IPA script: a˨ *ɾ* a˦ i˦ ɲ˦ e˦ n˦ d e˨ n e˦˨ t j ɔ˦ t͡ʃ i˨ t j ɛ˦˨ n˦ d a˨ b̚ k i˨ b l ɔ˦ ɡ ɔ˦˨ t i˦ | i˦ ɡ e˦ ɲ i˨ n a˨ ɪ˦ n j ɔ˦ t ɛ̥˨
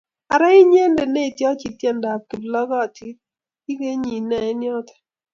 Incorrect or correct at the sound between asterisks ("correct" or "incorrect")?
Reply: correct